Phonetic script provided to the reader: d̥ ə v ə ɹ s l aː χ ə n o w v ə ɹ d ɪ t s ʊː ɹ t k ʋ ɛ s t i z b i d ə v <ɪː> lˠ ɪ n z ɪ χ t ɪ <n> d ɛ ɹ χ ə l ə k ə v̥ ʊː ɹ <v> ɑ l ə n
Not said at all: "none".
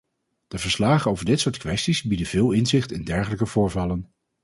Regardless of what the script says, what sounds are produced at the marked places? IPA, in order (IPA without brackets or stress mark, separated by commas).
ɪː, n, v